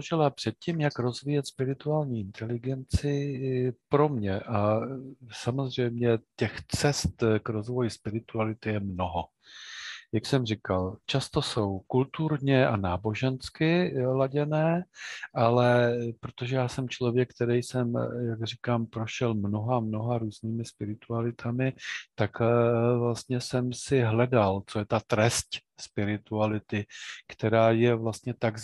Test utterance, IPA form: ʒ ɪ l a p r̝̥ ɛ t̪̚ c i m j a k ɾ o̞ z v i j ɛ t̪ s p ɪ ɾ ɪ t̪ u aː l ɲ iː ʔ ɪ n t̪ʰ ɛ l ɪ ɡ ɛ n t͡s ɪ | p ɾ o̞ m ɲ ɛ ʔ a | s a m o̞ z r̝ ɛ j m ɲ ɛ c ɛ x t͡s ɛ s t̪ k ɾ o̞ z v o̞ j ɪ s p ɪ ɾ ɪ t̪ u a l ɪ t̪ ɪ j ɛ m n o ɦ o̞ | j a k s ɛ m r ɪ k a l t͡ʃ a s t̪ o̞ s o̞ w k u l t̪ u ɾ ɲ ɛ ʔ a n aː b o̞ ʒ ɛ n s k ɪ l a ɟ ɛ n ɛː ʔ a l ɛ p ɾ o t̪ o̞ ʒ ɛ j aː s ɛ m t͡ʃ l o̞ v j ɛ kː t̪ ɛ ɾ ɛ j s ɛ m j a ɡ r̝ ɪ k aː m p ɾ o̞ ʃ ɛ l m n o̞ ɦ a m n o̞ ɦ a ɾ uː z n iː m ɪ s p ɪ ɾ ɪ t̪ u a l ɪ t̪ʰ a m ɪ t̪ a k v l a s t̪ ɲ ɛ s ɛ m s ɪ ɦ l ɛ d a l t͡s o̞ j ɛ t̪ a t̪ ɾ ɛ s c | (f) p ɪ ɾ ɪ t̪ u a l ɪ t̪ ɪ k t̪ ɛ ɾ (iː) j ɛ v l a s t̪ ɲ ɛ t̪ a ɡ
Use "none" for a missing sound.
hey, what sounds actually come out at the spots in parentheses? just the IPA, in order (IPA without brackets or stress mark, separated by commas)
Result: s, aː